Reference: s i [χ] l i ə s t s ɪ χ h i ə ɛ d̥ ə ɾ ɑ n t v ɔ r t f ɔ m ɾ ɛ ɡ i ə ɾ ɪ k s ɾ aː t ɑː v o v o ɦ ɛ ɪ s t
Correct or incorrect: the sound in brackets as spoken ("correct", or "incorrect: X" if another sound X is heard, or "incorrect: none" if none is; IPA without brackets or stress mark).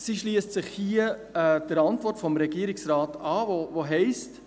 incorrect: ʃ